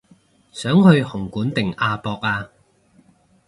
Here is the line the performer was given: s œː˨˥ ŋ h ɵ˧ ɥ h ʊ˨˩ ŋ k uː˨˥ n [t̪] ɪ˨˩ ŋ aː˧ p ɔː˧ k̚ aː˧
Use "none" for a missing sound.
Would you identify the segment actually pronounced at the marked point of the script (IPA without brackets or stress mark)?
t̪